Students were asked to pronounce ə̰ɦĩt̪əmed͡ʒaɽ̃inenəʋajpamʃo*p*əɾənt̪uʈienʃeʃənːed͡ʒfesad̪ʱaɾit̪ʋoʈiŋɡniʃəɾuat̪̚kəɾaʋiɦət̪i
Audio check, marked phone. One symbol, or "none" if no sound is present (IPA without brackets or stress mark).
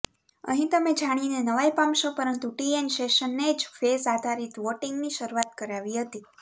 p